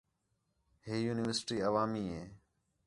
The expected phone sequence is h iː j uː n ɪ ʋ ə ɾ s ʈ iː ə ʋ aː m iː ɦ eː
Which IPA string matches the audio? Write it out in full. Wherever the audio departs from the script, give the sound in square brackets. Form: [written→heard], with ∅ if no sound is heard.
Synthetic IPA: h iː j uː n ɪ ʋ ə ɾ s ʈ iː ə ʋ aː m iː ɦ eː